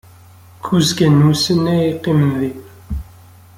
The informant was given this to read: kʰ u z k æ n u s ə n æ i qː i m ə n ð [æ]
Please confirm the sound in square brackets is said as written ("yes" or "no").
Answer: no